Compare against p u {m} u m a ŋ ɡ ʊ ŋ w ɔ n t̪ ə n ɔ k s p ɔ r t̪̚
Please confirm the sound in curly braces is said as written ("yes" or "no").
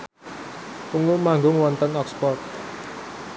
no